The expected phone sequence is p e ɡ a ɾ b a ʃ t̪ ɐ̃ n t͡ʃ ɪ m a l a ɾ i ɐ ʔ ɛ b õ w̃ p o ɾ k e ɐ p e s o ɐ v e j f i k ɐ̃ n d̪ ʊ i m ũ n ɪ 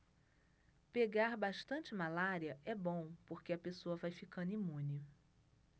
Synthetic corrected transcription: p e ɡ a ɾ b a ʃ t̪ ɐ̃ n t͡ʃ ɪ m a l a ɾ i ɐ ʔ ɛ b õ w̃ p o ɾ k e ɐ p e s o ɐ v a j f i k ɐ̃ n d̪ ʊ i m ũ n ɪ